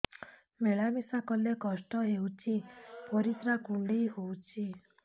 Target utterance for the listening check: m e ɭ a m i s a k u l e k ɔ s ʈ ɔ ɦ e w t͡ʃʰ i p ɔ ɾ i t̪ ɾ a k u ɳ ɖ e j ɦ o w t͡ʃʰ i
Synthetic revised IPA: m e ɭ a m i s a k ɔ l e k ɔ s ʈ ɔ ɦ e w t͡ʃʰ i p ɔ ɾ i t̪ ɾ a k u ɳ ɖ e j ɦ o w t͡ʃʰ i